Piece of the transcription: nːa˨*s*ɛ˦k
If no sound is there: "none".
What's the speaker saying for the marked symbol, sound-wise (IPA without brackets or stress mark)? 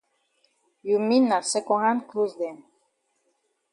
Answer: s